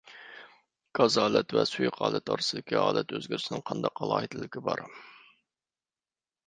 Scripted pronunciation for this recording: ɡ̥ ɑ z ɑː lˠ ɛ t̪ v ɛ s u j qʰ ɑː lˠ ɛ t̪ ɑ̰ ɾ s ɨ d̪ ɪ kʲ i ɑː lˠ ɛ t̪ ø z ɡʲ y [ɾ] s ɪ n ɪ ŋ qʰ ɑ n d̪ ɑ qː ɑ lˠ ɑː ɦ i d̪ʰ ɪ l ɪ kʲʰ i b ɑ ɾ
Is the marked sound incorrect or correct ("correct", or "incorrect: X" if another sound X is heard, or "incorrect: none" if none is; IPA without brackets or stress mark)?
correct